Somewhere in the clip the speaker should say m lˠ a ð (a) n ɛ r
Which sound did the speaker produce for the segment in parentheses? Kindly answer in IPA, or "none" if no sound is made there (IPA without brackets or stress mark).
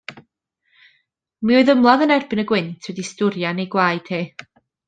ə